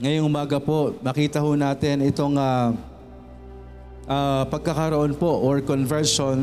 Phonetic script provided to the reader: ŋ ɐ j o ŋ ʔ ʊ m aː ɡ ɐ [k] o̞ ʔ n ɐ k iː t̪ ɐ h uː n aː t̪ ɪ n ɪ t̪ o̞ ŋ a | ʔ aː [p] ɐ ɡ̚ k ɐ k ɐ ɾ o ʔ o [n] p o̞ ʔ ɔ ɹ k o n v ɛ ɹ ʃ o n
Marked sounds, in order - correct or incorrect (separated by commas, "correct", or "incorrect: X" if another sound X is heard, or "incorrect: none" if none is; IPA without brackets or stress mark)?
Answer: incorrect: p, correct, correct